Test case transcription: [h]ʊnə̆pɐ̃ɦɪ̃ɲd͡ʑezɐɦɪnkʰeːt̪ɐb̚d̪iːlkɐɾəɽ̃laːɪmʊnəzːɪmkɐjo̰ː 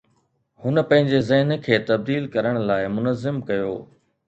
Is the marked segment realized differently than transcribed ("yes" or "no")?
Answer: no